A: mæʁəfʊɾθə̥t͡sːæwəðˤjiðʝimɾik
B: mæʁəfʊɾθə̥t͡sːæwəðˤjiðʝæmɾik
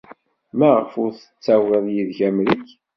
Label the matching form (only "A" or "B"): B